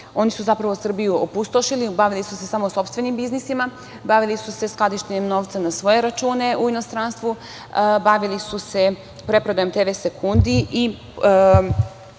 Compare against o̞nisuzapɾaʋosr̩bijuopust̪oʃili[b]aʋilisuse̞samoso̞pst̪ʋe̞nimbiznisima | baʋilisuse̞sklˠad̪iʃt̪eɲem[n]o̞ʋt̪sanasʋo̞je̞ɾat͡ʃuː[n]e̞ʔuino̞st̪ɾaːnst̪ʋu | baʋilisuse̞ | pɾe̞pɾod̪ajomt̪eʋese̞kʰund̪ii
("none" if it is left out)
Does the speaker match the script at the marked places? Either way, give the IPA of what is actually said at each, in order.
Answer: b, n, n

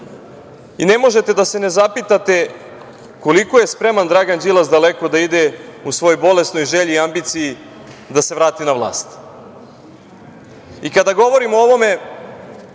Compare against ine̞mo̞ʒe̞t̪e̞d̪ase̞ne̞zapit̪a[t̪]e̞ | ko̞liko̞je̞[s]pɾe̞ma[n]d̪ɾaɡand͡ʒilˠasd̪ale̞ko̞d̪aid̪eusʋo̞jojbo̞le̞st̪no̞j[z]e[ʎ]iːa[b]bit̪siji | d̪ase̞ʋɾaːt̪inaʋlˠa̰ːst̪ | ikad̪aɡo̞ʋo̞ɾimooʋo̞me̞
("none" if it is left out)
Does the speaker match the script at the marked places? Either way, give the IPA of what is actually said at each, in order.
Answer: t̪, s, n, ʒ, ʎ, m

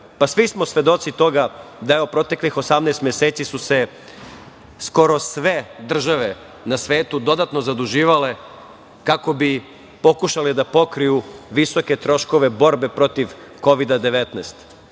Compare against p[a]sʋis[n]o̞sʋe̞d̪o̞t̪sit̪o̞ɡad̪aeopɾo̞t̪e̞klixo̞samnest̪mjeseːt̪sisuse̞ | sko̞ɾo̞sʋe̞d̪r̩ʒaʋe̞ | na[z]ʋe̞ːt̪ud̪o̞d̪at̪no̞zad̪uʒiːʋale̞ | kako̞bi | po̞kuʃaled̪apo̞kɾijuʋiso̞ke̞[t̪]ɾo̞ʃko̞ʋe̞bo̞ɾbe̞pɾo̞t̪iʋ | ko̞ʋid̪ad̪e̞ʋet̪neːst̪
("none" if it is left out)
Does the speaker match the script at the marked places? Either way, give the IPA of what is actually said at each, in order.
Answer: a, m, s, t̪

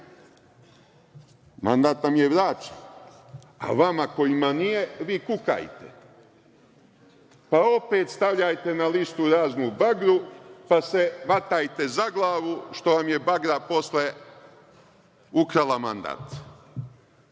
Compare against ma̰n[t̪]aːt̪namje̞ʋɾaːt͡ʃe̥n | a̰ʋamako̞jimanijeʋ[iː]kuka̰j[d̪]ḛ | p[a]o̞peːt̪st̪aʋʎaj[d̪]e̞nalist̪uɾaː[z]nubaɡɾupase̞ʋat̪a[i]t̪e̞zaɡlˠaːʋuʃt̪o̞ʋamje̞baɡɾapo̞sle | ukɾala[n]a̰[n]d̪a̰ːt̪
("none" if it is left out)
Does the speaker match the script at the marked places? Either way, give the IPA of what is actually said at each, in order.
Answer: d̪, iː, t̪, a, t̪, z, j, m, n

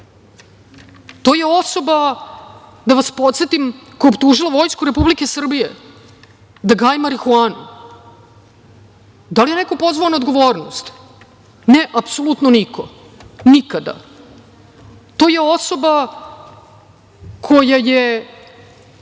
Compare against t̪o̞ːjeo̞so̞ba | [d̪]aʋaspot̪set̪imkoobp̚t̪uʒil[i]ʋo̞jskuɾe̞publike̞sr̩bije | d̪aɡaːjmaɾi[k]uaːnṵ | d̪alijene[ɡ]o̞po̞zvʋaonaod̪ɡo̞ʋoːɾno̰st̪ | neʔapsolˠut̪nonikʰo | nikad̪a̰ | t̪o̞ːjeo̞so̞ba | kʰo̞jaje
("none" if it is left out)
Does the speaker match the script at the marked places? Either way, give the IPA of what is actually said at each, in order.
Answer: d̪, a, x, k

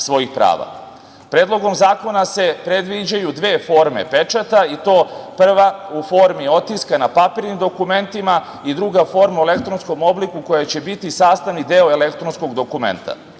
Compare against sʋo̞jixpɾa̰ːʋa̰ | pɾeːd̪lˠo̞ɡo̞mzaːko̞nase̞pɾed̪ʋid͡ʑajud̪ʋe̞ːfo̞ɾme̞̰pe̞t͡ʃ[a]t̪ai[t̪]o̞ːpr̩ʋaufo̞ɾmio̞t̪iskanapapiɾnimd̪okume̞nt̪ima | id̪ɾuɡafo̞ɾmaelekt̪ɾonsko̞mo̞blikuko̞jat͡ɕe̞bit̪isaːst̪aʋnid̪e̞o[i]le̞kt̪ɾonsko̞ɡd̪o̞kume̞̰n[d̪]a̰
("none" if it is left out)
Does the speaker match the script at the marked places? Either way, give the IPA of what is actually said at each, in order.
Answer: a, t̪, e, t̪

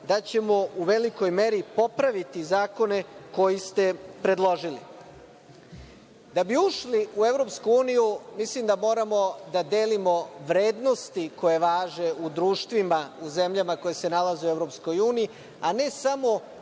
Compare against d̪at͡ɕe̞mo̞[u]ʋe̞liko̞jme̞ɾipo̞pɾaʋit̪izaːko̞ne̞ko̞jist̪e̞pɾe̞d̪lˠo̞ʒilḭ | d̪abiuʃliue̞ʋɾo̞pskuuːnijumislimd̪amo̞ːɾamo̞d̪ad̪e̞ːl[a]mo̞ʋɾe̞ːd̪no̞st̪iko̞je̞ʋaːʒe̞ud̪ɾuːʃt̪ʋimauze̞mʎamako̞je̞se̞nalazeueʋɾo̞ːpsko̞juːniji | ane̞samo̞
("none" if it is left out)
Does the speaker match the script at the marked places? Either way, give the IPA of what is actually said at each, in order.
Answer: u, i

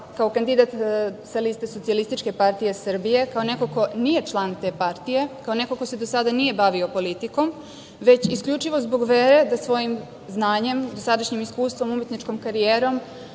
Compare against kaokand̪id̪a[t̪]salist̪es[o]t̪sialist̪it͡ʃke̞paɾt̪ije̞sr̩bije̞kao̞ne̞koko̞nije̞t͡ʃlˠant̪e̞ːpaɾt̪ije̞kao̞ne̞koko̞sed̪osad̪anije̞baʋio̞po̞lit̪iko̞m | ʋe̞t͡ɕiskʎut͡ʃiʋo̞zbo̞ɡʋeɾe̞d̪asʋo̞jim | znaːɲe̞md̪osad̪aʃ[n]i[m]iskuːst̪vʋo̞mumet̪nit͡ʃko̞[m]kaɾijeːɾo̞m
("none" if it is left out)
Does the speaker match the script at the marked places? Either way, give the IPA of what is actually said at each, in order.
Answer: t̪, o, ɲ, m, m

